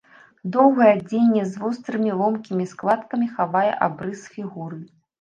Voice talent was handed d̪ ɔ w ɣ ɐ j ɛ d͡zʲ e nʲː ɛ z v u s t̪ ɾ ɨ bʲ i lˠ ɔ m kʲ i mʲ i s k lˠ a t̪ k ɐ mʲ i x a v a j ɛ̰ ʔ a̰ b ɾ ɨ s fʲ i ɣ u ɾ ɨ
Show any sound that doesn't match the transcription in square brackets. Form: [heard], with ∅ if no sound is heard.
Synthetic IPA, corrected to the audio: d̪ ɔ w ɣ ɐ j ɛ d͡zʲ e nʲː ɛ z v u s t̪ ɾ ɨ [mʲ] i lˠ ɔ m kʲ i mʲ i s k lˠ a t̪ k ɐ mʲ i x a v a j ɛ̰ ʔ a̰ b ɾ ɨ s fʲ i ɣ u ɾ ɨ